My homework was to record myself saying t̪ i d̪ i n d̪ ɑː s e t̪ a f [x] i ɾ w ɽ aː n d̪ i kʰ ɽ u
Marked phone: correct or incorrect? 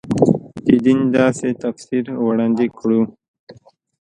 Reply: incorrect: s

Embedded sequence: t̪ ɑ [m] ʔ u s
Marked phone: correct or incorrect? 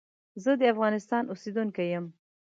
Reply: incorrect: n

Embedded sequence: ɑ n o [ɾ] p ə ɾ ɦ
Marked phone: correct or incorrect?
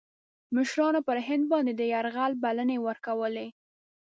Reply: incorrect: none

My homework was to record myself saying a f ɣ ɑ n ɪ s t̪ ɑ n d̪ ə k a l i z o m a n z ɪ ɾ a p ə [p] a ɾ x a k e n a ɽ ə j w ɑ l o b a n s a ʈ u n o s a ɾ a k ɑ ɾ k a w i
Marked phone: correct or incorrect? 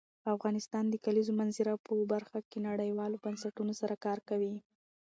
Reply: incorrect: b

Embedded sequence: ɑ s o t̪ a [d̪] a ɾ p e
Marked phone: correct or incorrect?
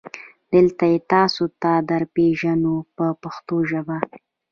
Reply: correct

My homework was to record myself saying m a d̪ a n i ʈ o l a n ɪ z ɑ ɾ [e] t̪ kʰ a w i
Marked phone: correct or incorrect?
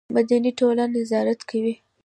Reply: incorrect: a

